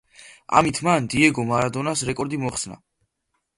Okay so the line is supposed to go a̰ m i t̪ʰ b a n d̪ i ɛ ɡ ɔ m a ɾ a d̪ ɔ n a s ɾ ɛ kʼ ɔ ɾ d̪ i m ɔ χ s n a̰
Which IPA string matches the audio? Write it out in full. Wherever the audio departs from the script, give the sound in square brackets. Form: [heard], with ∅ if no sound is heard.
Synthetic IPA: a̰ m i t̪ʰ [m] a n d̪ i ɛ ɡ ɔ m a ɾ a d̪ ɔ n a s ɾ ɛ kʼ ɔ ɾ d̪ i m ɔ χ s n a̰